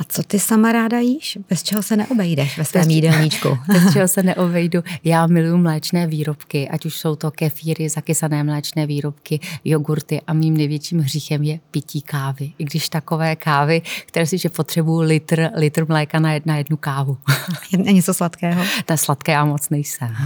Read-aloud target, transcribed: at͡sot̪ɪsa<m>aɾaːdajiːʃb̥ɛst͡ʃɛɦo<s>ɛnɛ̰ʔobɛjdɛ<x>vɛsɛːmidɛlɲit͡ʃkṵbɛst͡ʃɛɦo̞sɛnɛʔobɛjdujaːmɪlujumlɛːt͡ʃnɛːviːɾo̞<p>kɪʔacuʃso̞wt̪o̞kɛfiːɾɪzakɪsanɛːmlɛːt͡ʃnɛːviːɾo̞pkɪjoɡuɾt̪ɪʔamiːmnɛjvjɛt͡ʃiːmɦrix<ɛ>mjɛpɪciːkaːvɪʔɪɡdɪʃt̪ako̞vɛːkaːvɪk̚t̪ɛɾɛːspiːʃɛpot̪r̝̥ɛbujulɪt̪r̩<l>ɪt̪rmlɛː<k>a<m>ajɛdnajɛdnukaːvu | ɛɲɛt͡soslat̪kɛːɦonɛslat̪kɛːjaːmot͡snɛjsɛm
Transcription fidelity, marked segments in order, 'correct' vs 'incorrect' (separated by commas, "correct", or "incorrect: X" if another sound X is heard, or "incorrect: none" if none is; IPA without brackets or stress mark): correct, correct, incorrect: ʃ, correct, correct, correct, correct, incorrect: n